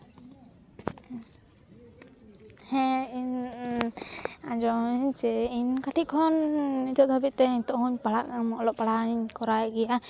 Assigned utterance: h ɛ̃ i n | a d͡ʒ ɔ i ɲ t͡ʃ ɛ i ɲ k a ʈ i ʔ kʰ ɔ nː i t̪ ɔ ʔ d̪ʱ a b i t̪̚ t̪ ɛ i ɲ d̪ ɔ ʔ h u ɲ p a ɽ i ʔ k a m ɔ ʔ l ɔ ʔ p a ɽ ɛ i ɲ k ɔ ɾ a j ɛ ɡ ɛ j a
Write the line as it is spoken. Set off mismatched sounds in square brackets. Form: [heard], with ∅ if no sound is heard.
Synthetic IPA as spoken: h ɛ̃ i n | a d͡ʒ ɔ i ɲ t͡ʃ ɛ i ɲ k a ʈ i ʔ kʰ ɔ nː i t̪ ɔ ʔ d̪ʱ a b i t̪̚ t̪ ɛ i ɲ [t̪] ɔ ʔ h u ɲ p a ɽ [a] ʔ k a m ɔ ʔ l ɔ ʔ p a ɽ [a] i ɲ k ɔ ɾ a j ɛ ɡ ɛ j a